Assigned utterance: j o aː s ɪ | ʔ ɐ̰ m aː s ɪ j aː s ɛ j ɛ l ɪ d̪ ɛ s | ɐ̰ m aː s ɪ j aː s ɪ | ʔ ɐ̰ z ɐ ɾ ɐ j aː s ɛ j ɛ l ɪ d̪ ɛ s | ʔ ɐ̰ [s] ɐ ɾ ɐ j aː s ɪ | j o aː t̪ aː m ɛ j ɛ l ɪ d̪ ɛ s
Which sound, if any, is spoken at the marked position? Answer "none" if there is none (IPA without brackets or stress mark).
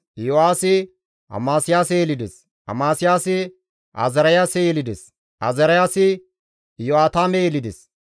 z